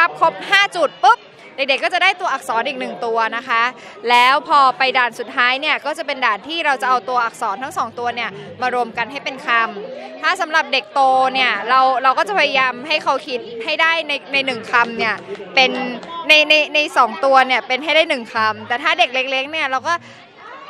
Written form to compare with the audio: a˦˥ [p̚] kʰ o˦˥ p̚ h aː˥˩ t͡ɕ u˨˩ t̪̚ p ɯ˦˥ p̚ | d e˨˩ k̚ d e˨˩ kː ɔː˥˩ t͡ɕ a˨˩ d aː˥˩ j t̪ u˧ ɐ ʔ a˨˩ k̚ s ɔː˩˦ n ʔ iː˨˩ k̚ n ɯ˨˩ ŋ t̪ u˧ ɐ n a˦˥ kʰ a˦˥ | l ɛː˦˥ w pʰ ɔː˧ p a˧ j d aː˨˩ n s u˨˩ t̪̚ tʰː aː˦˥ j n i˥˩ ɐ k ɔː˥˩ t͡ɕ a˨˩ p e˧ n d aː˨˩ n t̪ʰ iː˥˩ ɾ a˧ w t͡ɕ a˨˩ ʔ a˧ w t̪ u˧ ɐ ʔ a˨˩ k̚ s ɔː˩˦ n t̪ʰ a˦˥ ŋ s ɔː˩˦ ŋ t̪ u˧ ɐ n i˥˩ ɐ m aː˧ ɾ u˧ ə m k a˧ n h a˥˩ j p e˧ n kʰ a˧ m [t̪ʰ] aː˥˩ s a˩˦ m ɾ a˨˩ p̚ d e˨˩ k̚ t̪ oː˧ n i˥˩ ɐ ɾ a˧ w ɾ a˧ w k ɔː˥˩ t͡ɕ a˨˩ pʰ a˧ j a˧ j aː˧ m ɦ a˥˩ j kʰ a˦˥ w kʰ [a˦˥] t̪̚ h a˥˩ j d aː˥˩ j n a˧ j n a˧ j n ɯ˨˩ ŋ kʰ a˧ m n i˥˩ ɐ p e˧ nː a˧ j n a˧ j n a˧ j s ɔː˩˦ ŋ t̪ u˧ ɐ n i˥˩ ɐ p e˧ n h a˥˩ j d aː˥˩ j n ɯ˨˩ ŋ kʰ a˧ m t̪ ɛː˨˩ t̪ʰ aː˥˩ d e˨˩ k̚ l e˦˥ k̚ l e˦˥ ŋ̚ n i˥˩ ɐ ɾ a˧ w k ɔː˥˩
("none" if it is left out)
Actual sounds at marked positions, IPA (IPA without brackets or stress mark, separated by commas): p̚, t̪ʰ, i˦˥